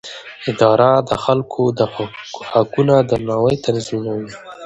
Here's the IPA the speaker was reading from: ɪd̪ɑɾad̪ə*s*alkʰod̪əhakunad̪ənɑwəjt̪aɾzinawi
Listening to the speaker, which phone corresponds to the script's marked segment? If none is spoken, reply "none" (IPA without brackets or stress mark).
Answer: x